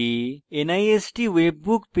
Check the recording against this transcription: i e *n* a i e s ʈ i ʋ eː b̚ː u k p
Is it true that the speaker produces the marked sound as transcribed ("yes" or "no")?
yes